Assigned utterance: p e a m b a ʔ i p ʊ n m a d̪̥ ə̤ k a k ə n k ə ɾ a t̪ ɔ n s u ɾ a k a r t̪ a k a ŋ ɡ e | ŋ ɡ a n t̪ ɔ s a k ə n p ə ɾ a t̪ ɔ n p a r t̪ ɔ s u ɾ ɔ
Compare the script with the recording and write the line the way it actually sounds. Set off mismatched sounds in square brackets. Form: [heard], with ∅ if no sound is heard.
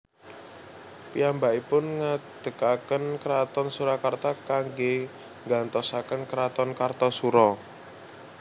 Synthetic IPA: p [i] a m b a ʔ i p ʊ n [ŋ] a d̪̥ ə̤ k a k ə n k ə ɾ a t̪ ɔ n s u ɾ a k a r t̪ a k a ŋ ɡ e | ŋ ɡ a n t̪ ɔ s a k ə n [k] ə ɾ a t̪ ɔ n [k] a r t̪ ɔ s u ɾ ɔ